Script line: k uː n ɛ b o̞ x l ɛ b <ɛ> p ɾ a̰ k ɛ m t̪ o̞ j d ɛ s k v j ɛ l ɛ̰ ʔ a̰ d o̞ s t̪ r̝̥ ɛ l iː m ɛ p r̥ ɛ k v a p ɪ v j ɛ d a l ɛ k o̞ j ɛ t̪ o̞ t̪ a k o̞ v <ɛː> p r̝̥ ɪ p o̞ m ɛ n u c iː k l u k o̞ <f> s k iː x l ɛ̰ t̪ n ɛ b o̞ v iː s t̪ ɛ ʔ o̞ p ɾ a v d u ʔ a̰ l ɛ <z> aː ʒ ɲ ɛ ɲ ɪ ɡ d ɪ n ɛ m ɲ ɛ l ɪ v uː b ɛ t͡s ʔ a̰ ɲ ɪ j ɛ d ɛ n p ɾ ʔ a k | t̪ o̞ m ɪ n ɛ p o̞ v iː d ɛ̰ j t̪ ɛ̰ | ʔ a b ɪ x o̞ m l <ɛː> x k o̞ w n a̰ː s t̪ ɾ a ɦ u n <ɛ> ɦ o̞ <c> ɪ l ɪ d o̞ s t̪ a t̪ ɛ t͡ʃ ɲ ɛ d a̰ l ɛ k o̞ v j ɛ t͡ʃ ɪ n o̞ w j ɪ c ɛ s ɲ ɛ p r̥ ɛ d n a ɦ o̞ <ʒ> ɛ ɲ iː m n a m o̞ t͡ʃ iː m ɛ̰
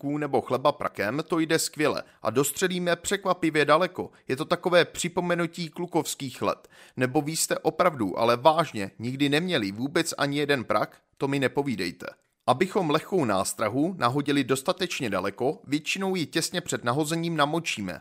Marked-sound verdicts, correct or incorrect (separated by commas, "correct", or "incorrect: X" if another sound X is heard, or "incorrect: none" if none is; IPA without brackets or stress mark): incorrect: a, correct, correct, incorrect: v, incorrect: ɛ, incorrect: a, incorrect: ɟ, incorrect: z